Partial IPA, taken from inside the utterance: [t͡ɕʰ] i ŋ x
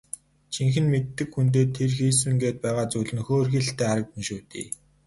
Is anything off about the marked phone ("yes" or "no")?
no